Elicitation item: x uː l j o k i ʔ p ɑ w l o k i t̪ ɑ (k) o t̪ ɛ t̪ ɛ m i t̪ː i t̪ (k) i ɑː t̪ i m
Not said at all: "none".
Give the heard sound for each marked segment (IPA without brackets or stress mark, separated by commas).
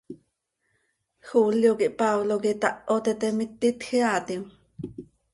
ʔ, x